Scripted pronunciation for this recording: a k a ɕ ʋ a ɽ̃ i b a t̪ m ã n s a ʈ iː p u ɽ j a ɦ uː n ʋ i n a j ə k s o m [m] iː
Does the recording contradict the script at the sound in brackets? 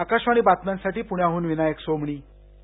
yes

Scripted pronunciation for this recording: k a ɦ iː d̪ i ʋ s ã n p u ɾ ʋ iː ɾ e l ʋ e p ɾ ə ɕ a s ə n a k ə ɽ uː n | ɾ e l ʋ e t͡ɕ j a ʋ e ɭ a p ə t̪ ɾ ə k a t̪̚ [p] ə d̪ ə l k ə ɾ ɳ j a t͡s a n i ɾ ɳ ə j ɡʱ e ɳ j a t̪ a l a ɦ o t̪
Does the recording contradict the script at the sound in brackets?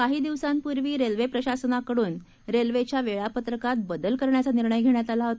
yes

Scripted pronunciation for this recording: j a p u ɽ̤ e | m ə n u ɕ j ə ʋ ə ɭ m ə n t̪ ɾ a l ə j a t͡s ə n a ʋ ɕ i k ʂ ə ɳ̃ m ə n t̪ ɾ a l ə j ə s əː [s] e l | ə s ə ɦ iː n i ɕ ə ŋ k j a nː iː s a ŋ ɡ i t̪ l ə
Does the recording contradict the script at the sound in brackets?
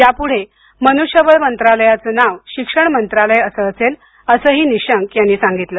no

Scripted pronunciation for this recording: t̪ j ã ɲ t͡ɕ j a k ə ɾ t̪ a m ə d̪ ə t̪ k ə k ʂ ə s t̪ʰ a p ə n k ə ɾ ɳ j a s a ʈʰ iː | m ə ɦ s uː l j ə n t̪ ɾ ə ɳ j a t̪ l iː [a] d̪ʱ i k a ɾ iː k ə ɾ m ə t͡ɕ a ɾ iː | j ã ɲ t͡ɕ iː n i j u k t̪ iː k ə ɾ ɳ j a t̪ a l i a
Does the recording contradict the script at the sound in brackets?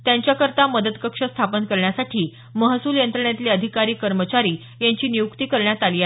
yes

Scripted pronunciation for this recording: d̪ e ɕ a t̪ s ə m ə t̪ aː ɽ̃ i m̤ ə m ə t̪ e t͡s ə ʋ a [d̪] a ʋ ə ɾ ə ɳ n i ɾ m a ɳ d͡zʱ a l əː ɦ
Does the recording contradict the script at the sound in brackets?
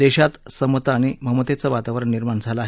yes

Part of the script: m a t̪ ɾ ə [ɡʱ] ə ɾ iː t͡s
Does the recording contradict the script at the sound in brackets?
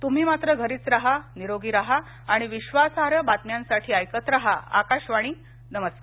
no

